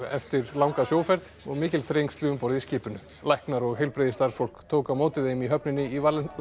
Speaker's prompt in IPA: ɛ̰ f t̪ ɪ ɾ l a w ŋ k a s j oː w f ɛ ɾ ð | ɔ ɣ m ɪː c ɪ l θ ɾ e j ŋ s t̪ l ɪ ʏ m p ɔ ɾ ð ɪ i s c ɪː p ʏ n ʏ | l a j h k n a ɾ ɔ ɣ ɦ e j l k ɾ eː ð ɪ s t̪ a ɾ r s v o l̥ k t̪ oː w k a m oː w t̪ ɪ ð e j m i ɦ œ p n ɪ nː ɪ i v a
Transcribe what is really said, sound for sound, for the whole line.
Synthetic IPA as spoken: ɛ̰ f t̪ ɪ ɾ l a w ŋ k a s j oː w f ɛ ɾ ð | ɔ ɣ m ɪː c ɪ l θ ɾ e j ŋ s t̪ l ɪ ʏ m p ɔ ɾ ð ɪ i s c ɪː p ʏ n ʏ | l a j h k n a ɾ ɔ ɣ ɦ e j l p ɾ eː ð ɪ s t̪ a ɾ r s f o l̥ k t̪ʰ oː w k a m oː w t̪ ɪ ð e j m i ɦ œ p n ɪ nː ɪ i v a

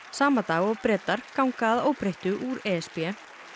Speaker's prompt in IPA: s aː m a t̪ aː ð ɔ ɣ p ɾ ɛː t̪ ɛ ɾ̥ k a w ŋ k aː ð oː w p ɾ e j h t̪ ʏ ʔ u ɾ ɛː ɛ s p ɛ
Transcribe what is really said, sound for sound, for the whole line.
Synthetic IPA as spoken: s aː m a t̪ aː ɣ ɔ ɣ p ɾ ɛː t̪ a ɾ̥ k a w ŋ k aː ð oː w p ɾ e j h t̪ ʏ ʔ u ɾ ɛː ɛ s p ɛ

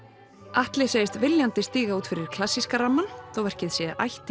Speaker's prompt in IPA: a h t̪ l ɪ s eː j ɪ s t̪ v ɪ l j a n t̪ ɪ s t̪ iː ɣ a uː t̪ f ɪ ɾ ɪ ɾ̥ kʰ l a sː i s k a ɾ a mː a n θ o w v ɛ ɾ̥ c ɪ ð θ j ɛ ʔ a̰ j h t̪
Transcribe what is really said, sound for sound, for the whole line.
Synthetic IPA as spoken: a h t̪ l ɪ s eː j ɪ s t̪ v ɪ l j a n t̪ ɪ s t̪ iː ɣ a uː t̪ f ɪ ɾ ɪ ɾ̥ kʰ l a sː i s k a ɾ a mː a n θ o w v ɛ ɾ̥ c ɪ ð s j ɛ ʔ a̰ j h t̪

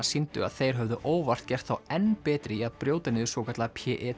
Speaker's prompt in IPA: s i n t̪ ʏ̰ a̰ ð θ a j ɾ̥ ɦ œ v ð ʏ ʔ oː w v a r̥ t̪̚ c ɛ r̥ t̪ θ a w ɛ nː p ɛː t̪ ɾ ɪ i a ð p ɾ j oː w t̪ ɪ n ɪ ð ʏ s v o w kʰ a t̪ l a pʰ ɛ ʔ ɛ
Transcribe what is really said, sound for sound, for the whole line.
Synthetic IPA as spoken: s i n t̪ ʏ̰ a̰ ð θ e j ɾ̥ ɦ œ v ð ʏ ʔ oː w v a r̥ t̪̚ c ɛ r̥ t̪ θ a w ɛ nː p ɛː t̪ ɾ ɪ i a ð p ɾ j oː w t̪ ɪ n ɪ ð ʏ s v o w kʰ a t̪ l a pʰ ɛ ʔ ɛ

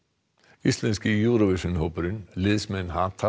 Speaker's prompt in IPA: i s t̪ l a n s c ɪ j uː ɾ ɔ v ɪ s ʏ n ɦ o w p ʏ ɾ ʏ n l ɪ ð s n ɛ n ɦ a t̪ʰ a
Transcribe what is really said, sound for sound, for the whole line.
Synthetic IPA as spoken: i s t̪ l ɛ n s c ɪ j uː ɾ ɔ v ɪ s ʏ n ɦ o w p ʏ ɾ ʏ n l ɪ ð s m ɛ n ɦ a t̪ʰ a

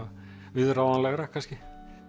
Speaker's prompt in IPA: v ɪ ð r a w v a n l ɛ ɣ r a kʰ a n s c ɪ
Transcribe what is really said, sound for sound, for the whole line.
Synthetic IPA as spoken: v ɪ ð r a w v a n l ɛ ɣ ɾ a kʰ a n s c ɪ

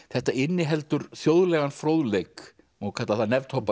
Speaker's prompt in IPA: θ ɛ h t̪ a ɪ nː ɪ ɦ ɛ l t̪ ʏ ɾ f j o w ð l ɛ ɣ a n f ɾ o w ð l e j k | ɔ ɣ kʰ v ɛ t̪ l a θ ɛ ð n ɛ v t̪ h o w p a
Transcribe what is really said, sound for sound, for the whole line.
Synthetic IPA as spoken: θ ɛ h t̪ a ɪ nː ɪ ɦ ɛ l t̪ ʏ ɾ θ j o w ð l ɛ ɣ a n f ɾ o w ð l e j k | ɔ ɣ kʰ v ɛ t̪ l a θ a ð n ɛ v t̪ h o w p a

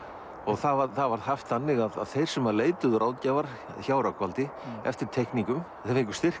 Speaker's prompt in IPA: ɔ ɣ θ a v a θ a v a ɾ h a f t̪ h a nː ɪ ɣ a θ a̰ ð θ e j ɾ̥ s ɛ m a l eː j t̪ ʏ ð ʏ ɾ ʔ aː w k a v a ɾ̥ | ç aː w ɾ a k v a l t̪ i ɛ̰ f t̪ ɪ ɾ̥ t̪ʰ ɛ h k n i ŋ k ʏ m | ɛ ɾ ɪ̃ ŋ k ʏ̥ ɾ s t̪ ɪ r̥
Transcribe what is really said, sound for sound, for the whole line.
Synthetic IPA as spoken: ɔ ɣ θ a v a θ a v a ɾ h a f t̪ θ a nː ɪ ɣ a ð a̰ ð θ e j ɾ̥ s ɛ m a l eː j t̪ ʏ ð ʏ ɾ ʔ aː w c a v a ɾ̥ | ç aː w ɾ a k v a l t̪ ɪ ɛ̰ f t̪ ɪ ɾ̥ t̪ʰ ɛ h k n i ŋ k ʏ m | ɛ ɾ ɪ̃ ŋ k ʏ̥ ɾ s t̪ ɪ r̥

